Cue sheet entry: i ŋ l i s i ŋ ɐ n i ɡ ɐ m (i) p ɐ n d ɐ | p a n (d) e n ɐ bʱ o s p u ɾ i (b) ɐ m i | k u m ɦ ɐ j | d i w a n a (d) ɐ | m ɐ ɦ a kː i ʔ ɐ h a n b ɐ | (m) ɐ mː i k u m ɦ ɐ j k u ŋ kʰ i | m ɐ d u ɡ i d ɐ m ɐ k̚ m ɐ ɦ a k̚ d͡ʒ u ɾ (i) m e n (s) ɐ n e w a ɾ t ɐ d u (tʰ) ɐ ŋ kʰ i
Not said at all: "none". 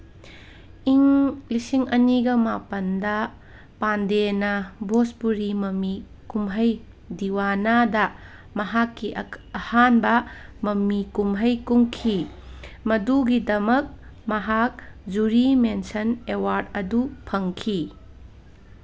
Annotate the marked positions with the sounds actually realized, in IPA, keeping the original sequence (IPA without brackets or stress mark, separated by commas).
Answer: a, d, m, d, m, i, s, pʰ